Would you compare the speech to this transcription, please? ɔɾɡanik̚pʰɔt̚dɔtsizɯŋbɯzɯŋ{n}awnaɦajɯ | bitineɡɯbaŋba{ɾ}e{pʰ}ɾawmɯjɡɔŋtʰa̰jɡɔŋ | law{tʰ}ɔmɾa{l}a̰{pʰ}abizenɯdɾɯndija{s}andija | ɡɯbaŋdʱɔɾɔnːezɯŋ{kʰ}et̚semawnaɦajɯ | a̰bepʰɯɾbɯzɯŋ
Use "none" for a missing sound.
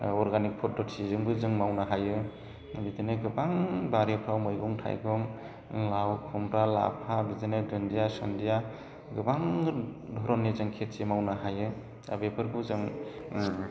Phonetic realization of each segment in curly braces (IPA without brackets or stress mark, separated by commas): m, ɾ, pʰ, kʰ, l, pʰ, s, kʰ